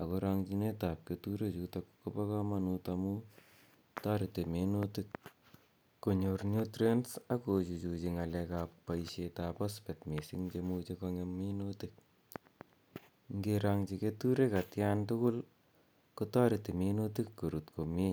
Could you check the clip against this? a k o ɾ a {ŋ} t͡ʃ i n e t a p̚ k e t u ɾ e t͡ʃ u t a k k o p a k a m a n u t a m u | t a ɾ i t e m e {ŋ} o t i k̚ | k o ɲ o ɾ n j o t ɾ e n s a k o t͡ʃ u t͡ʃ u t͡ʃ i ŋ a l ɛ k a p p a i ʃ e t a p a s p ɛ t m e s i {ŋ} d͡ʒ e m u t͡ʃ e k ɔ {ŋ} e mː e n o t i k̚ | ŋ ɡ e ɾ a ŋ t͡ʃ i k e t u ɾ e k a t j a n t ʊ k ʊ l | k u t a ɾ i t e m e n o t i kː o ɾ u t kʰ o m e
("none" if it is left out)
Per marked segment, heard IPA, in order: ŋ, n, ŋ, ŋ

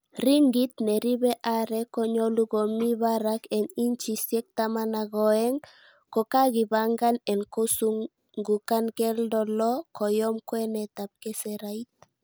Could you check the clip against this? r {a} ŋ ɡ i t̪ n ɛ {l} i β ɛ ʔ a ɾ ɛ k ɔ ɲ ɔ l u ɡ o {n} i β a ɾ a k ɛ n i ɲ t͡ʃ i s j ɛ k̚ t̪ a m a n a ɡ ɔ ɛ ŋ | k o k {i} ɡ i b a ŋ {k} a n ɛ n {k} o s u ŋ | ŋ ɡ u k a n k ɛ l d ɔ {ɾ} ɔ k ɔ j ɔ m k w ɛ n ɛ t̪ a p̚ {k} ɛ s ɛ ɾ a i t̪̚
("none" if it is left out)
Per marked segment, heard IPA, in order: i, ɾ, m, a, ɡ, k, l, k

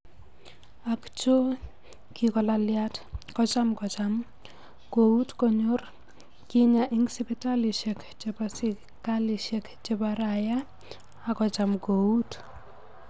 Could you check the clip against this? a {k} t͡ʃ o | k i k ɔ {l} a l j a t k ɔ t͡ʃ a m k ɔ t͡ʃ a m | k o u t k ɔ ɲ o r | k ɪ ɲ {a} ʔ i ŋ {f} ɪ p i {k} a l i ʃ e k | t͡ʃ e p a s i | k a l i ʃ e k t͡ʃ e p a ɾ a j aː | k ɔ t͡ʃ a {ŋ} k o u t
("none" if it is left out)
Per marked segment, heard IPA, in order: k, l, a, s, t, m

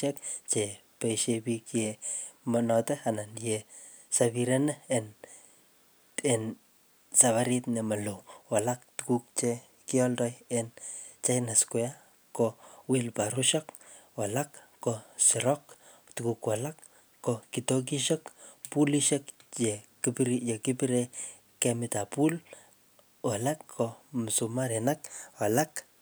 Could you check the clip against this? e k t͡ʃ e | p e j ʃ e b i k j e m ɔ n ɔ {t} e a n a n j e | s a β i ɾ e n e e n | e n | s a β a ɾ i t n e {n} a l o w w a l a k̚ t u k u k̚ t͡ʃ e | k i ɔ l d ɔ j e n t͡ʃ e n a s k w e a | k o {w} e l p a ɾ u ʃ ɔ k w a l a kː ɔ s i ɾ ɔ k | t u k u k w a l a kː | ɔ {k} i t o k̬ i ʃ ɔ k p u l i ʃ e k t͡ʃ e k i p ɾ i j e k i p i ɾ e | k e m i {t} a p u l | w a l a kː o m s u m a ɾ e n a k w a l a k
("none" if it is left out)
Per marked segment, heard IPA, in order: t, m, w, k, t

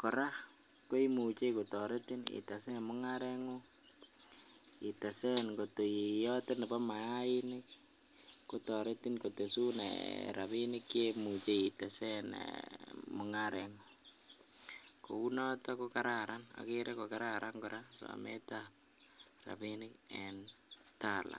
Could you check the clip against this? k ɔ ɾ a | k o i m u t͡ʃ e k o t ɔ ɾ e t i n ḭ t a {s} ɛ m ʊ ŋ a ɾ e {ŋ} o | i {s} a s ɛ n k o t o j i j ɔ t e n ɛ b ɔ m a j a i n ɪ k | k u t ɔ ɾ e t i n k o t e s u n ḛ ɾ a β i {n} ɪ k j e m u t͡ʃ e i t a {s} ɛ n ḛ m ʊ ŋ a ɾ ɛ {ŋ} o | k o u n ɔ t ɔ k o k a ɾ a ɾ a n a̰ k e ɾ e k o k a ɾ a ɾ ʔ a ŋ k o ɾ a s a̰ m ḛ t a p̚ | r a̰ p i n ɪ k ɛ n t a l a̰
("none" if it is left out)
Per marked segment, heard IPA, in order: s, ŋ, t, n, s, ŋ

